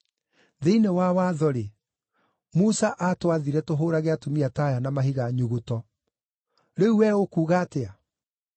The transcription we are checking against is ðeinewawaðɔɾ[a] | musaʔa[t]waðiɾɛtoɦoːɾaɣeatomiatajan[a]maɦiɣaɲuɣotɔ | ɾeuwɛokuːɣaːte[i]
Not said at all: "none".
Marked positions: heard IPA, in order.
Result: e, t, a, a

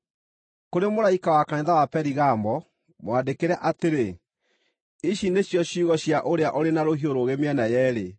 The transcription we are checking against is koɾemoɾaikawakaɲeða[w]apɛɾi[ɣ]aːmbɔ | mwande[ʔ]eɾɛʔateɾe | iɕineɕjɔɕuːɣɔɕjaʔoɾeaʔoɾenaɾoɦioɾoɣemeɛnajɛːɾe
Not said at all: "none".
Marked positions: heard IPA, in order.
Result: w, ɣ, k

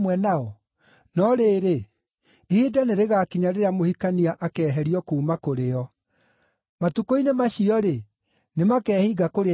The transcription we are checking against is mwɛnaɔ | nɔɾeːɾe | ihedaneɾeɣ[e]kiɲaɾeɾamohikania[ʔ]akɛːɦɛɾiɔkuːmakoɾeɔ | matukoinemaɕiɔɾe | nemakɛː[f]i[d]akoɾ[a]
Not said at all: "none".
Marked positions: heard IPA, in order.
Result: a, ʔ, h, ɡ, e

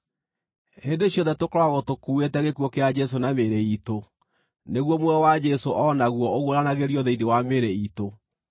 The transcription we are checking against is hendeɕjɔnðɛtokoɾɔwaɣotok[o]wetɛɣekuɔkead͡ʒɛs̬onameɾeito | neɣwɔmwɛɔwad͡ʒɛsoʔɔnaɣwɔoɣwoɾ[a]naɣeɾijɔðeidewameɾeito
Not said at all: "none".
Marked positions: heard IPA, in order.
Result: u, a

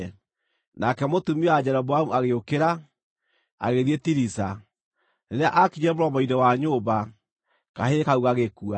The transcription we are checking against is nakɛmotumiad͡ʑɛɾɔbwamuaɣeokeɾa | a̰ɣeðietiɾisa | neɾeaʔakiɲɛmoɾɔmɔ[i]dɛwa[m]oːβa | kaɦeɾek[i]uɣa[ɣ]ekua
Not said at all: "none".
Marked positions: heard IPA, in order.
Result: i, ɲ, a, ɣ

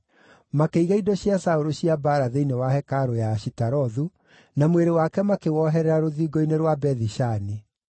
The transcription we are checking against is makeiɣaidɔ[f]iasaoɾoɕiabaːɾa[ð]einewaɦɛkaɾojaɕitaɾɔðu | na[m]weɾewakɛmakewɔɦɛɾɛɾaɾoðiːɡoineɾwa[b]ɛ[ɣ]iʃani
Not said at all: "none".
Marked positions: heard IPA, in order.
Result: ɕ, ð, m, b, ð

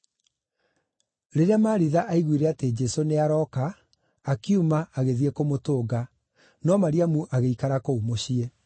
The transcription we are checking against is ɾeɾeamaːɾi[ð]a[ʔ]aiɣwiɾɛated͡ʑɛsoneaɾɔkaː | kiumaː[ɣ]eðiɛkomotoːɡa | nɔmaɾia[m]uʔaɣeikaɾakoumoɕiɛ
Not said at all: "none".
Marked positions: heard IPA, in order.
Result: ð, ʔ, ɣ, m

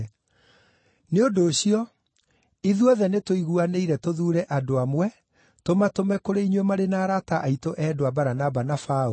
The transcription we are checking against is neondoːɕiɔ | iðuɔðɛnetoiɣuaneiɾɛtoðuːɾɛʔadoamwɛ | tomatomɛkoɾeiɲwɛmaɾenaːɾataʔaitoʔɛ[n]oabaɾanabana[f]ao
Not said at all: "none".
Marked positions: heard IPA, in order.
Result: d, f

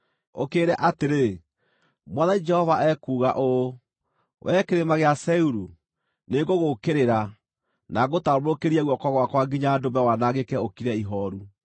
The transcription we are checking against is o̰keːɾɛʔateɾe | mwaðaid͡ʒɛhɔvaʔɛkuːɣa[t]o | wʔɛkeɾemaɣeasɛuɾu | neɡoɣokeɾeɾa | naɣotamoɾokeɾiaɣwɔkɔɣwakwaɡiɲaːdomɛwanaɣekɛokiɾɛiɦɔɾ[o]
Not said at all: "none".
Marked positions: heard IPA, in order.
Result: ʔ, u

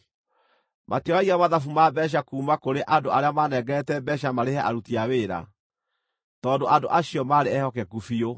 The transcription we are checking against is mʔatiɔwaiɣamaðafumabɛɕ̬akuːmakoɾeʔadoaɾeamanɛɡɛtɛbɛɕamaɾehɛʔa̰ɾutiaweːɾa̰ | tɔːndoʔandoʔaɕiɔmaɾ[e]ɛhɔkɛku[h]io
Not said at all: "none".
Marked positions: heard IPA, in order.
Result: e, f

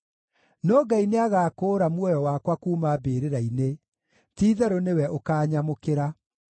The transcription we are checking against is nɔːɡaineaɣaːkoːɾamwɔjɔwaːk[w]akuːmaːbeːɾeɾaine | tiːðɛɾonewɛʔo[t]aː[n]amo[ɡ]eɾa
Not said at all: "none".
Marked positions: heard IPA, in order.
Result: w, k, ɲ, k

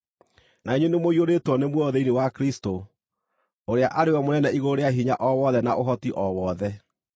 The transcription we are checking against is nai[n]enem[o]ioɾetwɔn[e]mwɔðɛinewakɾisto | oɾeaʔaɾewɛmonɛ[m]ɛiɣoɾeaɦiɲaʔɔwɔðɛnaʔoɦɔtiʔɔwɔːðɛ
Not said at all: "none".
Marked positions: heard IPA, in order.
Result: ɲ, o, e, n

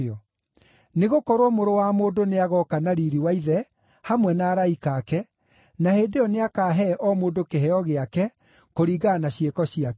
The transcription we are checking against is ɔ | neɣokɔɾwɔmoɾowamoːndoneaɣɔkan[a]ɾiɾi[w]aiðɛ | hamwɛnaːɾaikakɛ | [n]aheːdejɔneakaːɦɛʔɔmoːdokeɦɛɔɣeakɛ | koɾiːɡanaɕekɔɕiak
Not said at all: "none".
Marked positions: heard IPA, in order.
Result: a, w, n

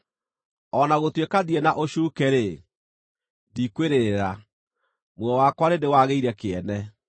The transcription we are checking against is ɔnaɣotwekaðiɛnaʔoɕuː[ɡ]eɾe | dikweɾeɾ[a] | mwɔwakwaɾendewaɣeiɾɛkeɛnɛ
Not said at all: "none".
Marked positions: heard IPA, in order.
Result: k, a

